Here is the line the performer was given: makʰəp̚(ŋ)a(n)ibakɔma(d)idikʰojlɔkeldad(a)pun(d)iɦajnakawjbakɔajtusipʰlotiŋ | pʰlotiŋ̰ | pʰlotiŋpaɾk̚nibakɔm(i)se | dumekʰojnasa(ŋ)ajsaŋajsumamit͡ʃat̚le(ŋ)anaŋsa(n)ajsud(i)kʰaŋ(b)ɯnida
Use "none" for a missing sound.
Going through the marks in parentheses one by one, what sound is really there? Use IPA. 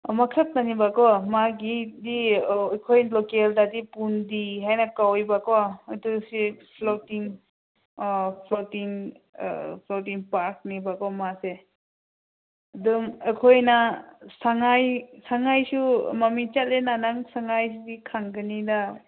n, n, ɡ, i, d, a, ŋ, n, ŋ, i, ɡ

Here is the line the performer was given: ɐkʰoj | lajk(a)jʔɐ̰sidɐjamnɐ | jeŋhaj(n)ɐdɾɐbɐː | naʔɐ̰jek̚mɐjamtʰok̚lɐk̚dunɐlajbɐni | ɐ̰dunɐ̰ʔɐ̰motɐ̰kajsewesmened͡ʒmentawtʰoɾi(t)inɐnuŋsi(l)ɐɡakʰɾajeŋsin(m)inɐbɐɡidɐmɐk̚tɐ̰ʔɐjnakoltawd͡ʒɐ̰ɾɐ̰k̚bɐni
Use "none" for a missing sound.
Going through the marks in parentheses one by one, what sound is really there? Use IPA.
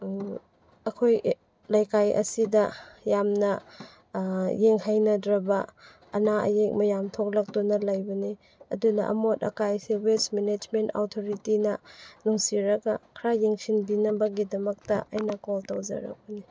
a, n, t, ɾ, b

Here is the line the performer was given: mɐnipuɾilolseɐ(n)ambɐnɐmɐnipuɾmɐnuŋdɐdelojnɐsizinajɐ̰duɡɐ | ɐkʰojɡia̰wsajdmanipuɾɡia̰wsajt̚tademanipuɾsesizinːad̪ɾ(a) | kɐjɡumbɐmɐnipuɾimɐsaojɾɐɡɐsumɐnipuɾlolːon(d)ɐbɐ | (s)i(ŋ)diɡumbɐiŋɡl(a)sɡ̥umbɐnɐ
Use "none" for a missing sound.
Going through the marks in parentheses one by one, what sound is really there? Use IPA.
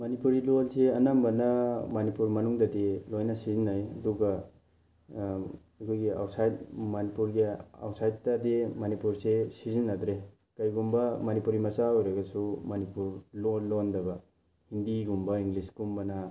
n, e, d, h, n, i

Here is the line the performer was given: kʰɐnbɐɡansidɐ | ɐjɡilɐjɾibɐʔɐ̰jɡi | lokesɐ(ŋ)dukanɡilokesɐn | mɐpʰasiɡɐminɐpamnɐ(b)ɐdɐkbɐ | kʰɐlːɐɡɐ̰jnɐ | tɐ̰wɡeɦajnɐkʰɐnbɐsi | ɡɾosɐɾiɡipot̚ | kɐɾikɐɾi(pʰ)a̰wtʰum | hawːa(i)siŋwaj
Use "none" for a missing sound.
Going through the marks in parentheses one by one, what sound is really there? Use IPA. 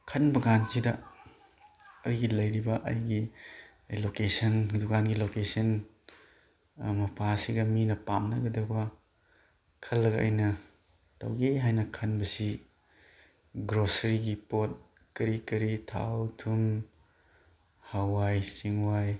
n, ɡ, tʰ, j

